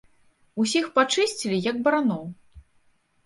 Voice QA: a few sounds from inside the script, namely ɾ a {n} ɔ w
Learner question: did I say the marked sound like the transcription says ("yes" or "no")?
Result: yes